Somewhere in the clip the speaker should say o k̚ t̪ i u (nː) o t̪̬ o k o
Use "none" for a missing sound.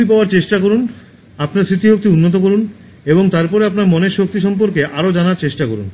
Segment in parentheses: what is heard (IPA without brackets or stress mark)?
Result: nː